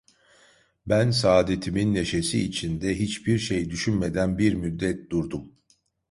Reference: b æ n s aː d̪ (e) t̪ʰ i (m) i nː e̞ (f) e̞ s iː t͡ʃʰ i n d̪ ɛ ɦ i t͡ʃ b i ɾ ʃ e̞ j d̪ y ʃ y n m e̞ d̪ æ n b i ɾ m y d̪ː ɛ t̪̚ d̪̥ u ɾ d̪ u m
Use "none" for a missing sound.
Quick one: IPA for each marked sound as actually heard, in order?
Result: e, m, ʃ

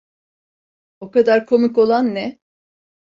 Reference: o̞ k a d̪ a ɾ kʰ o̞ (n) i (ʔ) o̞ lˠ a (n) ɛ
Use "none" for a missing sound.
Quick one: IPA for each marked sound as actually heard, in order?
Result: m, k, nː

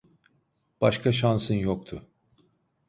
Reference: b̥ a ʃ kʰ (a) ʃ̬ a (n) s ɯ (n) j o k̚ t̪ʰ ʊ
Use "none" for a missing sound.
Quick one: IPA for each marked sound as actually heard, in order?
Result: a, n, n

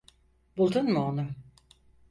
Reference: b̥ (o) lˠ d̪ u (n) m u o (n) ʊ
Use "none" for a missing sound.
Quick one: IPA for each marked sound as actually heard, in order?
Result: u, n, n

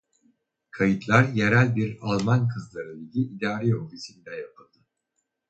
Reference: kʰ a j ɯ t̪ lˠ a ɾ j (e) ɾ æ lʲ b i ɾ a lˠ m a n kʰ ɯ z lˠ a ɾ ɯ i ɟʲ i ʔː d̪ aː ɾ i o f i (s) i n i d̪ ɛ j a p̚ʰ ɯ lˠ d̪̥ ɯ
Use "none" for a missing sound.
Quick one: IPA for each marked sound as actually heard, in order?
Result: e, s

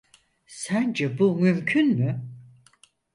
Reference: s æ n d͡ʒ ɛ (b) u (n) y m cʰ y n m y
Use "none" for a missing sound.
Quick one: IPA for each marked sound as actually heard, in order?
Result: b, m

